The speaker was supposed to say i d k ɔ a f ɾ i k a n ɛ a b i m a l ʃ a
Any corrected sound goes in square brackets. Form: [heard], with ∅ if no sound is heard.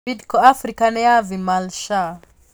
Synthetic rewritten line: i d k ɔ a f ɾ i k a n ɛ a [v] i m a l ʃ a